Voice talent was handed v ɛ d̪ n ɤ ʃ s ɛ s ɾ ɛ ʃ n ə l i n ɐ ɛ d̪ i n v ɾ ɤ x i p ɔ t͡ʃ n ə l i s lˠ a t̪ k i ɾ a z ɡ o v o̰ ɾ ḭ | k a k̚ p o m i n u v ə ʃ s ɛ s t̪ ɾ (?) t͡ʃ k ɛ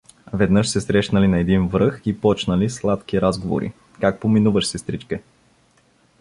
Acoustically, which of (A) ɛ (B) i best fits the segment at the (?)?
B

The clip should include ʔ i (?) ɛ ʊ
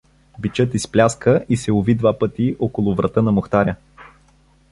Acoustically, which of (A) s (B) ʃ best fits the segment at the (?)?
A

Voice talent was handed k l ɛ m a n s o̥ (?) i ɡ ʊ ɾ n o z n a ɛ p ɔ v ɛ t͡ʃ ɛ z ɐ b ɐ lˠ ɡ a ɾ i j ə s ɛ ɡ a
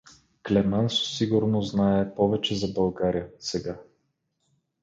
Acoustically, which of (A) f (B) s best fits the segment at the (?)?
B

